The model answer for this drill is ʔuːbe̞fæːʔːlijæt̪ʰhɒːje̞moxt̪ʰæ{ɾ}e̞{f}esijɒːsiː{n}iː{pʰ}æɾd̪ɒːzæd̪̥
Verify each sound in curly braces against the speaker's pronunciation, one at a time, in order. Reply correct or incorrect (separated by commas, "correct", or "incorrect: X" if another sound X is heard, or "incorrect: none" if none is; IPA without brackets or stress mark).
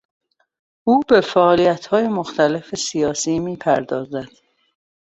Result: incorrect: l, correct, incorrect: m, correct